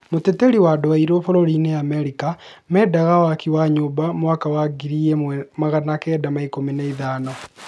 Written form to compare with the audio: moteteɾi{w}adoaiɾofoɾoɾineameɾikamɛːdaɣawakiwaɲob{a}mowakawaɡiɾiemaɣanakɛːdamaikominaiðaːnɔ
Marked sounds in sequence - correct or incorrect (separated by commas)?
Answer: correct, correct